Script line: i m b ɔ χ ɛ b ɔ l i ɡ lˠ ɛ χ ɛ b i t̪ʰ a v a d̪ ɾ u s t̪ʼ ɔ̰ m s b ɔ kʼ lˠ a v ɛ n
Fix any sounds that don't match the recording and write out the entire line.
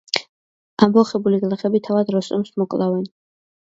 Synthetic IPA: a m b ɔ χ ɛ b u l i ɡ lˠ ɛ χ ɛ b i t̪ʰ a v a d̪ ɾ ɔ s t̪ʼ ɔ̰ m s m ɔ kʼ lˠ a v ɛ n